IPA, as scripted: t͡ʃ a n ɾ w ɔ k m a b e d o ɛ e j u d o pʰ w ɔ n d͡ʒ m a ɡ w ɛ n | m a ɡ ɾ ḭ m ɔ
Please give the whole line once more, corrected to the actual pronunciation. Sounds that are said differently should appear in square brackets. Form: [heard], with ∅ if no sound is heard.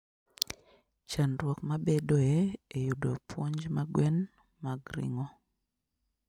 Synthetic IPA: t͡ʃ a n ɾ w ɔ k m a b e d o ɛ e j u d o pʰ w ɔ [ɲ] d͡ʒ m a ɡ w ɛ n | m a ɡ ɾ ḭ [ŋ] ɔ